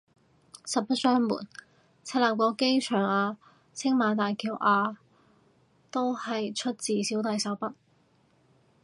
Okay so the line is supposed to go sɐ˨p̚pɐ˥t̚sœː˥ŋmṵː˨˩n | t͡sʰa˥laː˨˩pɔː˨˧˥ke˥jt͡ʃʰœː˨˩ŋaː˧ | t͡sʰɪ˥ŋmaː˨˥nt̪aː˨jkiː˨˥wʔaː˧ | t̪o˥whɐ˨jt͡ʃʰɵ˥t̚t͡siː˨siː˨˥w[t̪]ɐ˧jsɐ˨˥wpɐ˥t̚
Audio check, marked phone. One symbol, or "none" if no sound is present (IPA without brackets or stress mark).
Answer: t̪